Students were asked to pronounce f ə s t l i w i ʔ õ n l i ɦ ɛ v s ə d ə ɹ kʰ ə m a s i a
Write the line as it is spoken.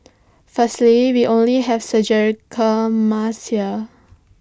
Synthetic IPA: f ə s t l i w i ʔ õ n l i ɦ ɛ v s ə d͡ʒ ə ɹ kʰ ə m a s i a